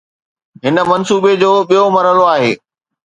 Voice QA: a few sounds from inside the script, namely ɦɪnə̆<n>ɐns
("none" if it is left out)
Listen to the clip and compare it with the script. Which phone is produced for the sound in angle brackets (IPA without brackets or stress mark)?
m